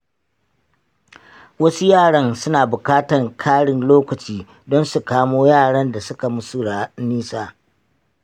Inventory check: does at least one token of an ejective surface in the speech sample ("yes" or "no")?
no